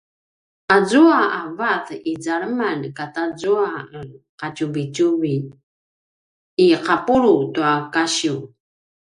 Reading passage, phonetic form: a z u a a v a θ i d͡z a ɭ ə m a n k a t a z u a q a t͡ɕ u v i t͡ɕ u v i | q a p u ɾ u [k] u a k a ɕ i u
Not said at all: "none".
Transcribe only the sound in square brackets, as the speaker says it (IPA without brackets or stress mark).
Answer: t